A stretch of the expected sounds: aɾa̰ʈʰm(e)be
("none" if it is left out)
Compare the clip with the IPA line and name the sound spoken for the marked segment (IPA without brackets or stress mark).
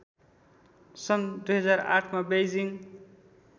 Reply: a